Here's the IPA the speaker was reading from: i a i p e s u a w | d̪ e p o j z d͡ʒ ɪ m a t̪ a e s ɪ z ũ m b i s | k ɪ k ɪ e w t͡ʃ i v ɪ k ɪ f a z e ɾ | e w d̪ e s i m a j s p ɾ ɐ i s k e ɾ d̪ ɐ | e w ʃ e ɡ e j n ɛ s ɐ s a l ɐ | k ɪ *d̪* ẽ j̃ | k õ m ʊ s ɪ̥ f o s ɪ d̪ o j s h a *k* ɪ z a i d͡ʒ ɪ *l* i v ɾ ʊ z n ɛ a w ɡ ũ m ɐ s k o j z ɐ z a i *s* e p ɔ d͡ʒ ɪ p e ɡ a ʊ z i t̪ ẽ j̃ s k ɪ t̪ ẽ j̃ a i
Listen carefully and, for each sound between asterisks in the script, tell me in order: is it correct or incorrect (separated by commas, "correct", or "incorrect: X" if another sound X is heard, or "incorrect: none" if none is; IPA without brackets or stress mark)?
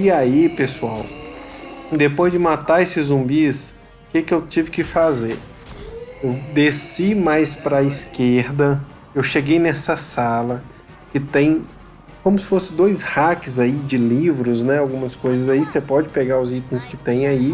incorrect: t̪, correct, correct, correct